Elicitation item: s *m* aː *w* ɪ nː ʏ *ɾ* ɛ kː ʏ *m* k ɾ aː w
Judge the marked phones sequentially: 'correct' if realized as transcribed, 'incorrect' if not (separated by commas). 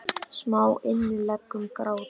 correct, correct, incorrect, correct